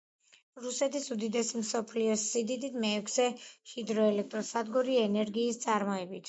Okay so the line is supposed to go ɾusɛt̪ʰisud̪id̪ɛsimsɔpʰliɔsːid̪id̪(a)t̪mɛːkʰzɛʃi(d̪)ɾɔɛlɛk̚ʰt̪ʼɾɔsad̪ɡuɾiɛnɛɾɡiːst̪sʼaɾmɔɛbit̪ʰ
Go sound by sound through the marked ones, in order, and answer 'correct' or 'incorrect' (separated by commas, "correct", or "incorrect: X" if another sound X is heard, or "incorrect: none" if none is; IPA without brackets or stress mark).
incorrect: i, correct